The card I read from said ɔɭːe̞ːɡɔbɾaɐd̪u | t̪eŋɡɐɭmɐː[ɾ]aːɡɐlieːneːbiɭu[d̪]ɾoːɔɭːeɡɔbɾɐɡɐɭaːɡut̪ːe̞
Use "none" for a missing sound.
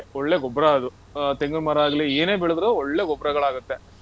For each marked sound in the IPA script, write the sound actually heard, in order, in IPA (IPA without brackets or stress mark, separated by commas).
ɾ, d̪